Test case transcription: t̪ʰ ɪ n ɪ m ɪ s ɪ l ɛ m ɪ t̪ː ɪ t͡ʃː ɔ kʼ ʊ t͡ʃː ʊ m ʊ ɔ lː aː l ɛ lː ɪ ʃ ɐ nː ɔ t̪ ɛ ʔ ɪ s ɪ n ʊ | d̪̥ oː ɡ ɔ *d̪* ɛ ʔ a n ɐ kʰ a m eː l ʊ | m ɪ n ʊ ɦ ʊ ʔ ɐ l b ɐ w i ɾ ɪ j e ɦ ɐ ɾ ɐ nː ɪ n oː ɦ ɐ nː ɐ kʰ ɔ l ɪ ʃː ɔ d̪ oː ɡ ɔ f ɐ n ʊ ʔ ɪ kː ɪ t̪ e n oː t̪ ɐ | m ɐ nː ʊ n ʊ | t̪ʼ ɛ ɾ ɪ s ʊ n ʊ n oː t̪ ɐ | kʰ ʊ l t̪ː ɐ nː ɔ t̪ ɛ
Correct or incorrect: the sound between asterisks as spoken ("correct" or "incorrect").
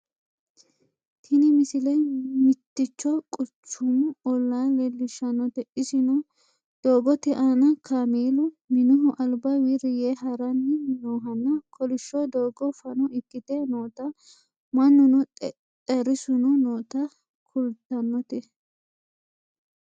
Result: incorrect